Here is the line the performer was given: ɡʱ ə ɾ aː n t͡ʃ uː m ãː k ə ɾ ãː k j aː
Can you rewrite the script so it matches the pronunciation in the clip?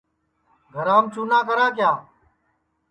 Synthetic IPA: ɡʱ ə ɾ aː m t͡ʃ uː n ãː k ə ɾ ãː k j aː